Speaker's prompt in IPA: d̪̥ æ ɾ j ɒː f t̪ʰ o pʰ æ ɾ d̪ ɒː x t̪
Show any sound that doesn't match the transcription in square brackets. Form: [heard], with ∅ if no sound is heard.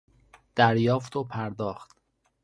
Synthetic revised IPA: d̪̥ æ ɾ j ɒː f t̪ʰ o pʰ æ ɾ d̪ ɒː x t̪